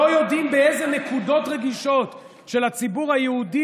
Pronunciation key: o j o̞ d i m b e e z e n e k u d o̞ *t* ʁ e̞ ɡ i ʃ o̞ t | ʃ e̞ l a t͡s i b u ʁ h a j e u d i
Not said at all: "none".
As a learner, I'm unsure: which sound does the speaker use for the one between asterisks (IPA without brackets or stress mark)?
t